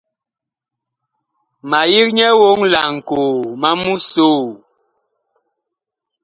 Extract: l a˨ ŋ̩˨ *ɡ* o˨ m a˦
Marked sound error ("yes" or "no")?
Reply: yes